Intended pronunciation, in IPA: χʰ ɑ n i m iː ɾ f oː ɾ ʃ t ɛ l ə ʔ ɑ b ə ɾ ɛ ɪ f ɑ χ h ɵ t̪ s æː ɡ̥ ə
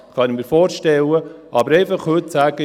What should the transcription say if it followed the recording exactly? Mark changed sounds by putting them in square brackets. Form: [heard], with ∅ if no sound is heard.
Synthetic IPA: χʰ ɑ n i m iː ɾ f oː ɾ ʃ t ɛ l ə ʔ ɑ b ə ɾ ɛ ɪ f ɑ χ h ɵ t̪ s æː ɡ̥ ə